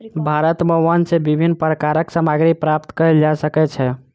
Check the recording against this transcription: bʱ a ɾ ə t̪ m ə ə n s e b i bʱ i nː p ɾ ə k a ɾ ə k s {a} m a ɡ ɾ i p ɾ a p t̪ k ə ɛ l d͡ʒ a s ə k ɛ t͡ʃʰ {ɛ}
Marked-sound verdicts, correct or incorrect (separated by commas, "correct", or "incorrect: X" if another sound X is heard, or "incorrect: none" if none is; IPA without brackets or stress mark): incorrect: ə, correct